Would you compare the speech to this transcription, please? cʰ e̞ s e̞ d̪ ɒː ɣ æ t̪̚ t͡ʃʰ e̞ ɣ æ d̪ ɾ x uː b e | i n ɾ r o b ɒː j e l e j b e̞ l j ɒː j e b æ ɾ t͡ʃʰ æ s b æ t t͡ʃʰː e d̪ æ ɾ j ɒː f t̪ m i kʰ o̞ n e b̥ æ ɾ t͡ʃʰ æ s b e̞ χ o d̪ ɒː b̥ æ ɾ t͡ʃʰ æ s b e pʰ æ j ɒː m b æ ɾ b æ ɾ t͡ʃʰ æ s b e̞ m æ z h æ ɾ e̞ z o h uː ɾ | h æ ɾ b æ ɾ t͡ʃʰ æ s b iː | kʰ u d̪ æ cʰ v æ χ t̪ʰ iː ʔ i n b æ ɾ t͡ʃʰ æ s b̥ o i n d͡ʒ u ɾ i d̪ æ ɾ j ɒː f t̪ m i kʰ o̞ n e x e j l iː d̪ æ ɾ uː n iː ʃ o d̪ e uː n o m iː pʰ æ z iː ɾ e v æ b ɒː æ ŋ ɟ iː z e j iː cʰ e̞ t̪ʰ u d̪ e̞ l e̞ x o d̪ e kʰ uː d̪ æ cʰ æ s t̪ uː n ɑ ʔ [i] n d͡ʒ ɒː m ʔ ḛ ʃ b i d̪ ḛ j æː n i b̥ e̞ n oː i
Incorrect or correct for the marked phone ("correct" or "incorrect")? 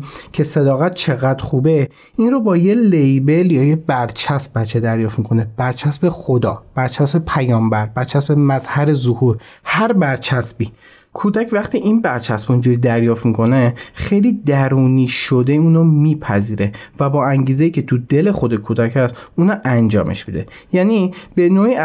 incorrect